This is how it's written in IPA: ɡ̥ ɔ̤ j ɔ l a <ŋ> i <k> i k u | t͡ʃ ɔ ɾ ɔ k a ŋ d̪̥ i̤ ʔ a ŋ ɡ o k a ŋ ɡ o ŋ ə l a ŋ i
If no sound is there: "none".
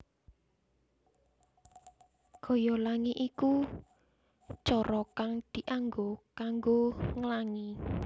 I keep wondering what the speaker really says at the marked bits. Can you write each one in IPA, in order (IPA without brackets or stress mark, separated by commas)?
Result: ŋ, ʔ